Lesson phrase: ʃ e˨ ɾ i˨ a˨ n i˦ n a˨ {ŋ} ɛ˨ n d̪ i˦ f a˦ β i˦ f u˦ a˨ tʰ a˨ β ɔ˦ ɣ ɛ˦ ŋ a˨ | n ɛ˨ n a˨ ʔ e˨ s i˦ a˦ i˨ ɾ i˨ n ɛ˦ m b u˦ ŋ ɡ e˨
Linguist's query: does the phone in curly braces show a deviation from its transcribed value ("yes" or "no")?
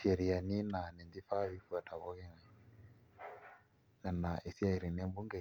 yes